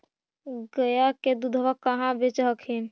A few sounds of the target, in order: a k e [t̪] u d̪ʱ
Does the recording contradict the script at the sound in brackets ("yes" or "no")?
yes